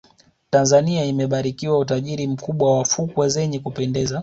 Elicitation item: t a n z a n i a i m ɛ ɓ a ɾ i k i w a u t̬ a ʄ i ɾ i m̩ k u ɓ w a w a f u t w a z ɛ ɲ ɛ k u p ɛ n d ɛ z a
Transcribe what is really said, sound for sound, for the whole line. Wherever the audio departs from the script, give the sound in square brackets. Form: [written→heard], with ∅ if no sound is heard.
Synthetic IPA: t a n z a n i a i m ɛ ɓ a ɾ i k i w a u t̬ a ʄ i ɾ i m̩ k u ɓ w a w a f u [t→k] w a z ɛ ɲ ɛ k u p ɛ n d ɛ z a

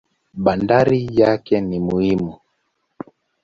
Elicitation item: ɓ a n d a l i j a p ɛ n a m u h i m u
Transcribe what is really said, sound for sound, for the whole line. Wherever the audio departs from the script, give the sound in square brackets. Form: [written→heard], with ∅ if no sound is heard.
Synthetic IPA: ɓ a n d a [l→ɾ] i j a [p→k] ɛ n [a→i] m u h i m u

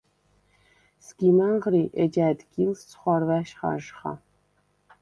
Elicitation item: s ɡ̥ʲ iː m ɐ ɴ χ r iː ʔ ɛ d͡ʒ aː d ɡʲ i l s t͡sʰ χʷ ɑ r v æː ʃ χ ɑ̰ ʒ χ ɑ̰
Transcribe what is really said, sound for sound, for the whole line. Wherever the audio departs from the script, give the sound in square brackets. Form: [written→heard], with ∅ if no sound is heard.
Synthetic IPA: s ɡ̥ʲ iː m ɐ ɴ [χ→ʁ] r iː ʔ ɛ d͡ʒ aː d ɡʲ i l s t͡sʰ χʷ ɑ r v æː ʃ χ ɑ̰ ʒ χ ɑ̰

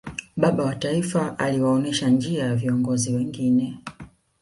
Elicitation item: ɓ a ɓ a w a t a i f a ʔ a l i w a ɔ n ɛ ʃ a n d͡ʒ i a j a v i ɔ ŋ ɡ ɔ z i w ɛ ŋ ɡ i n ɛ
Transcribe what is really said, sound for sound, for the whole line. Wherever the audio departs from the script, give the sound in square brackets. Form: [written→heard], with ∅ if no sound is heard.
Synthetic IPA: ɓ a ɓ a w a t a i f a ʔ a l i w a ɔ n ɛ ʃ a n d͡ʒ i a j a v i ɔ ŋ ɡ ɔ z i w ɛ ŋ ɡ i n ɛ

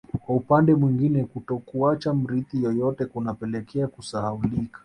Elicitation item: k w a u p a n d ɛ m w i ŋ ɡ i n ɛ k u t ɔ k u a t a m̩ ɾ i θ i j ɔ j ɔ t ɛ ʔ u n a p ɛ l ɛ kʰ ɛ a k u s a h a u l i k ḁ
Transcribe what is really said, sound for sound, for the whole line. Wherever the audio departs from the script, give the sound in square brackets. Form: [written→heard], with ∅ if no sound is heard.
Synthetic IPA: k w a u p a n d ɛ m w i ŋ ɡ i n ɛ k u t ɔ k u a [t→t͡ʃ] a m̩ ɾ i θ i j ɔ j ɔ t ɛ [ʔ→k] u n a p ɛ l ɛ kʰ ɛ a k u s a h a u l i k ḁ

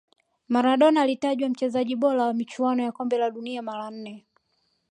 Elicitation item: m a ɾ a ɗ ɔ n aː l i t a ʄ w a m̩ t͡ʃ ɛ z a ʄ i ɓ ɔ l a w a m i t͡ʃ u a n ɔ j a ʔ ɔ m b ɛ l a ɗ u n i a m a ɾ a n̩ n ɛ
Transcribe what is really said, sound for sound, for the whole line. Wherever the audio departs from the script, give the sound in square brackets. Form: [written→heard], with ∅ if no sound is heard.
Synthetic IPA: m a ɾ a ɗ ɔ n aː l i t a ʄ w a m̩ t͡ʃ ɛ z a ʄ i ɓ ɔ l a w a m i t͡ʃ u a n ɔ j a [ʔ→k] ɔ m b ɛ l a ɗ u n i a m a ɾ a n̩ n ɛ

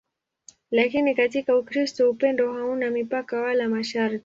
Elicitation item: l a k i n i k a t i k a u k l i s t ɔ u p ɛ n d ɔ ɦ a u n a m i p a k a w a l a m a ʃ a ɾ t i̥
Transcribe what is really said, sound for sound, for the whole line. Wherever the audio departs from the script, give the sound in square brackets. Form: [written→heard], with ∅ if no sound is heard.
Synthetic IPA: l a k i n i k a t i k a u k [l→ɾ] i s t ɔ u p ɛ n d ɔ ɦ a u n a m i p a k a w a l a m a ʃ a ɾ t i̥

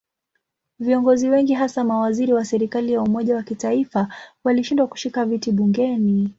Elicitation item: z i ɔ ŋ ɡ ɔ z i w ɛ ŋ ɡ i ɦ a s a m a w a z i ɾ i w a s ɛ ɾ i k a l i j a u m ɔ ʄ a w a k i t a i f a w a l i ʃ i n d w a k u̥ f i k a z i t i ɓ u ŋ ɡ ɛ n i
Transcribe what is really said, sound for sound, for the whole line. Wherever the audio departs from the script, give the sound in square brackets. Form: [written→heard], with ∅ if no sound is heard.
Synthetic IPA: [z→v] i ɔ ŋ ɡ ɔ z i w ɛ ŋ ɡ i ɦ a s a m a w a z i ɾ i w a s ɛ ɾ i k a l i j a u m ɔ ʄ a w a k i t a i f a w a l i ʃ i n d w a k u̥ [f→ʃ] i k a [z→v] i t i ɓ u ŋ ɡ ɛ n i

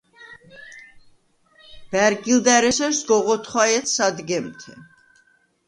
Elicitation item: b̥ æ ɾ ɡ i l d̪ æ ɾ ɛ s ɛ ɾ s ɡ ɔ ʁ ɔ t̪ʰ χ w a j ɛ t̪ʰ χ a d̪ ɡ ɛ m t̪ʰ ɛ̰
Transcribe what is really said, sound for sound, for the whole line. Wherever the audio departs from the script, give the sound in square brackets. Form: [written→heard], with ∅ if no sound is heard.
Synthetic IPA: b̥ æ ɾ ɡ i l d̪ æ ɾ ɛ s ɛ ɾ s ɡ ɔ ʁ ɔ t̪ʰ χ w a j ɛ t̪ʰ [χ→s] a d̪ ɡ ɛ m t̪ʰ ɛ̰

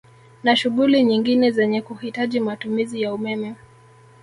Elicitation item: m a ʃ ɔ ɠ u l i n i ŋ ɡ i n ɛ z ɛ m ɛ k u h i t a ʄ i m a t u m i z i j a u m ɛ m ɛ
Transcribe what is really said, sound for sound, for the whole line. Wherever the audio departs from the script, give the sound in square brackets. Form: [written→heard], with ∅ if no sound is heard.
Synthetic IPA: [m→n] a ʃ [ɔ→u] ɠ u l i [n→ɲ] i ŋ ɡ i n ɛ z ɛ [m→ɲ] ɛ k u h i t a ʄ i m a t u m i z i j a u m ɛ m ɛ

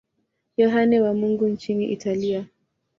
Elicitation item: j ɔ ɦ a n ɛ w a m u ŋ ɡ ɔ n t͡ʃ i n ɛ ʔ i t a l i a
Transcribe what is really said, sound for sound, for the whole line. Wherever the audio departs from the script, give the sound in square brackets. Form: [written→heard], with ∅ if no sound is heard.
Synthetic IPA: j ɔ ɦ a n ɛ w a m u ŋ ɡ [ɔ→u] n t͡ʃ i n [ɛ→i] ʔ i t a l i a

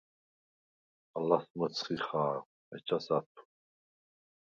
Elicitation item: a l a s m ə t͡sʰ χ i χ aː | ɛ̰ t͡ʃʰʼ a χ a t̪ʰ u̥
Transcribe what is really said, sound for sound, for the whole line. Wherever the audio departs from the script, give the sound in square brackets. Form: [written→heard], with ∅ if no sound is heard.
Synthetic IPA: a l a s m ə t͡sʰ χ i χ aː | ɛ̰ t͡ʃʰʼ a [χ→s] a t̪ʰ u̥

